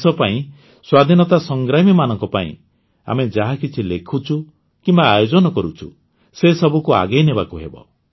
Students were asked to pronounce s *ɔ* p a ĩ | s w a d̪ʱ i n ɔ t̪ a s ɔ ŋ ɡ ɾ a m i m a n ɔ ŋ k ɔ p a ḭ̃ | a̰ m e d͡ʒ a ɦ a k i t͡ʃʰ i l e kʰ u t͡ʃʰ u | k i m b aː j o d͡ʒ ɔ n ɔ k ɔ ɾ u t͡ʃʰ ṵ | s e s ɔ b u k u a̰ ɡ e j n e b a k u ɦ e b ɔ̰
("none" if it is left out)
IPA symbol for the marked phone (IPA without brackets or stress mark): ɔ